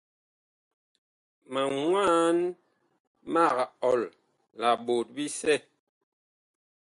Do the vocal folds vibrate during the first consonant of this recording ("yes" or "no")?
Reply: yes